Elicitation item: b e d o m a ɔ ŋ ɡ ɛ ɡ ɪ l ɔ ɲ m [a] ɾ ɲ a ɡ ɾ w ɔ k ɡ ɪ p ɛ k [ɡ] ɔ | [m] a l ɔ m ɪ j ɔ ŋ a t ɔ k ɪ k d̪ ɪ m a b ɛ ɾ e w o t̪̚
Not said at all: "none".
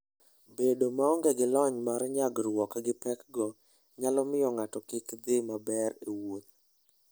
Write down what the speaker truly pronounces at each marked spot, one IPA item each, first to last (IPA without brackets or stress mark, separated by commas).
a, ɡ, ɲ